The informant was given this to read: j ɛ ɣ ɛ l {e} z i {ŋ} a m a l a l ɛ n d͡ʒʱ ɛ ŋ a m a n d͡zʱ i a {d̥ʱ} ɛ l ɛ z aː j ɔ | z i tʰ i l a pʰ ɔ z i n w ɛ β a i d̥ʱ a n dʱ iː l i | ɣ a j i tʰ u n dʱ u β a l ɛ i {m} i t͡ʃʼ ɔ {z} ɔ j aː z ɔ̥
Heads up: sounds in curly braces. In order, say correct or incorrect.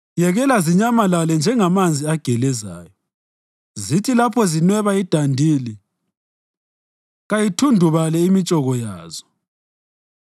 incorrect: a, incorrect: ɲ, incorrect: ɡ̥ʱ, correct, incorrect: ɣ

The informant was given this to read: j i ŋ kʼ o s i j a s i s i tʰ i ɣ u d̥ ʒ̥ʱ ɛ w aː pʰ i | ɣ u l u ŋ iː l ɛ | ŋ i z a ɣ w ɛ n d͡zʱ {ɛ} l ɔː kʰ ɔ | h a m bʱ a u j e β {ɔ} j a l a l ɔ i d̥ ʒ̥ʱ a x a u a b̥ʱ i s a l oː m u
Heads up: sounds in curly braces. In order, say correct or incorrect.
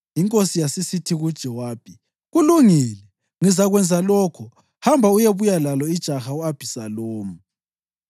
incorrect: a, incorrect: u

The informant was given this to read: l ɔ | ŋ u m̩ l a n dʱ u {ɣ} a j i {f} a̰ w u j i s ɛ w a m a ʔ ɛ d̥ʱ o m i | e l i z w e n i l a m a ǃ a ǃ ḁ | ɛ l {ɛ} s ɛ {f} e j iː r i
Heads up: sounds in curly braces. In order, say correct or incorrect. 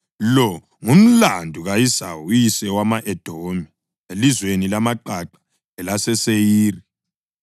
correct, incorrect: s, incorrect: a, incorrect: s

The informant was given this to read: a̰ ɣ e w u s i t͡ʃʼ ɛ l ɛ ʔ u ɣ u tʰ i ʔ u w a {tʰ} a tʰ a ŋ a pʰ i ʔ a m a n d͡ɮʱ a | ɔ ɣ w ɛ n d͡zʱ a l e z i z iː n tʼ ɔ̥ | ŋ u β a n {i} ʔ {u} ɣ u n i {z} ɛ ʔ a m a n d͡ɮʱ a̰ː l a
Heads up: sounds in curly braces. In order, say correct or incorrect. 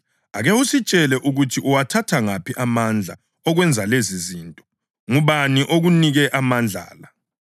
correct, correct, incorrect: o, incorrect: ɣ

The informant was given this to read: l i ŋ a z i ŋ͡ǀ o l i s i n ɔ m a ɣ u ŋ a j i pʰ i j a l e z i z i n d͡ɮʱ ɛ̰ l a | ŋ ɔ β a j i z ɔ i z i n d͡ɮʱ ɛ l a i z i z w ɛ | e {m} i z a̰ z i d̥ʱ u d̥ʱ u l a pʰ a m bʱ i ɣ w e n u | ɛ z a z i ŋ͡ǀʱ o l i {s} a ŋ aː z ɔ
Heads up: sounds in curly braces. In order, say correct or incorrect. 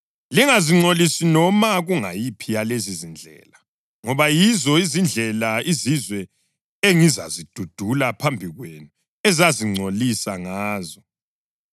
incorrect: ŋ, correct

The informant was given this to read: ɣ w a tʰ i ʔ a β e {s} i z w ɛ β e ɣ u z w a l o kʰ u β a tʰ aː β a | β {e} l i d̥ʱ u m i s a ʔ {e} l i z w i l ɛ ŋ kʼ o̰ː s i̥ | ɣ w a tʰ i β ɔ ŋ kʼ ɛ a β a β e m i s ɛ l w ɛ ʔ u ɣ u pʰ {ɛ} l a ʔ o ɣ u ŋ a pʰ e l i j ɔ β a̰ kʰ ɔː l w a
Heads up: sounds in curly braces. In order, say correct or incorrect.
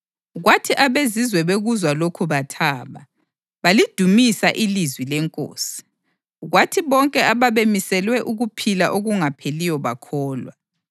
incorrect: z, incorrect: a, incorrect: i, incorrect: i

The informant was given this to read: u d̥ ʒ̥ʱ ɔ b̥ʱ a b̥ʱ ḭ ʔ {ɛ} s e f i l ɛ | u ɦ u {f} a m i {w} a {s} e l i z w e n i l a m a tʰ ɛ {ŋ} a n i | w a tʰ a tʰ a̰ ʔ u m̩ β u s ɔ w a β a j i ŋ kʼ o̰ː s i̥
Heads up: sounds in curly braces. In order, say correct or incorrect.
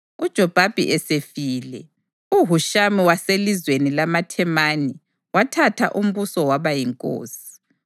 correct, incorrect: ʃ, correct, correct, incorrect: m

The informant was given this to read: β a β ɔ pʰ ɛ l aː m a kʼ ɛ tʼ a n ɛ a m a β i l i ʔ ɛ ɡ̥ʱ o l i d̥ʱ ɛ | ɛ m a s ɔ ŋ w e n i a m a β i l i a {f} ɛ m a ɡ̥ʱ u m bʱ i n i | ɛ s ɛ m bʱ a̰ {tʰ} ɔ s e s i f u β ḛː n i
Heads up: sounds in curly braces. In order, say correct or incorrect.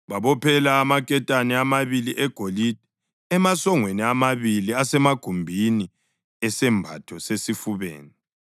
incorrect: s, correct

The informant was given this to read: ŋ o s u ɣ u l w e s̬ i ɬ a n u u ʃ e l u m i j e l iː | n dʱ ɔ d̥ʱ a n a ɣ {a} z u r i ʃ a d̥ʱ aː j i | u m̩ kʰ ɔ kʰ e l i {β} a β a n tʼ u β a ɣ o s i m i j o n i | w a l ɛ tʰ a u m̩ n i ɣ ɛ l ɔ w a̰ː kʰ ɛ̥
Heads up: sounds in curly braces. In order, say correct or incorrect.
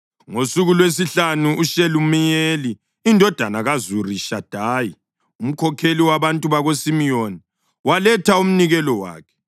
correct, incorrect: w

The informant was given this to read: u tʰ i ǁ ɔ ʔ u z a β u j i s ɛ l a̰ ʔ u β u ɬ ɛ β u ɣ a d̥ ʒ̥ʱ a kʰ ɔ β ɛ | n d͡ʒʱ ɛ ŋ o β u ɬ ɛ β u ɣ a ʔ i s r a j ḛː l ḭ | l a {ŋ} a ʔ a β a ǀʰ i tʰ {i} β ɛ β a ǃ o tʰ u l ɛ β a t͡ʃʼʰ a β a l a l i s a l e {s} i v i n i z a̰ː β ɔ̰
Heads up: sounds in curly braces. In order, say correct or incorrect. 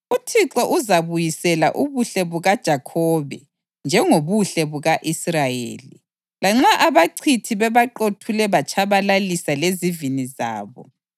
incorrect: ŋ͡ǁ, correct, incorrect: z

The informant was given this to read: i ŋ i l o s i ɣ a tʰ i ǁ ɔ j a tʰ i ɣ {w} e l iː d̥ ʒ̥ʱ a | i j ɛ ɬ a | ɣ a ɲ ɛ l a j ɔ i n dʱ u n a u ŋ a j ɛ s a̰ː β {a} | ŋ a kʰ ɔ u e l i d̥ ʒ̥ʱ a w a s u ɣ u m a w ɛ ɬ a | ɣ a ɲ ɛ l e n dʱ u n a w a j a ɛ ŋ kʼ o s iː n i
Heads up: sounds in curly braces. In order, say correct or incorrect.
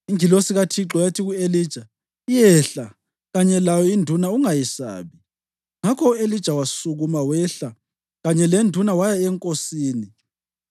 incorrect: u, incorrect: i

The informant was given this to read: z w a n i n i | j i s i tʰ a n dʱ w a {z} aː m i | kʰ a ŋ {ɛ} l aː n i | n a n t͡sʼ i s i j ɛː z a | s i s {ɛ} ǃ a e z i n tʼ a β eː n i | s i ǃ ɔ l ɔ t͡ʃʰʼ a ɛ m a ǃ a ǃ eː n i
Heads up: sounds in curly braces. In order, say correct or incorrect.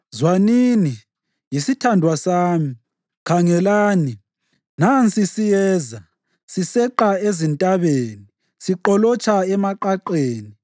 incorrect: s, correct, correct

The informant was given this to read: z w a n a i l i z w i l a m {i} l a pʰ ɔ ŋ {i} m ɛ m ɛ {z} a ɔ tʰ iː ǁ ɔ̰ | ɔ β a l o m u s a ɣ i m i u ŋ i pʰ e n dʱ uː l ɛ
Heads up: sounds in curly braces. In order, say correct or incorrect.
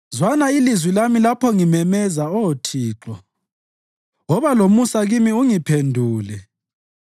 correct, correct, correct

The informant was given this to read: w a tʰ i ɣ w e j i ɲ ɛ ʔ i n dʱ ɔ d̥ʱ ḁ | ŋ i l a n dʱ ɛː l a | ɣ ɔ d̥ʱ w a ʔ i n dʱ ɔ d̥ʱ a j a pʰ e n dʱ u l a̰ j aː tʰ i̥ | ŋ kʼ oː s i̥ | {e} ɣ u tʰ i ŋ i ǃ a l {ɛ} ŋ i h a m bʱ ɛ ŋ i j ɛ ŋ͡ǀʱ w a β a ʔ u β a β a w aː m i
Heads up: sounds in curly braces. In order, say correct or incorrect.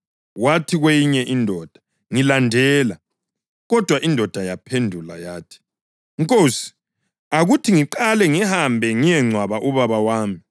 incorrect: a, correct

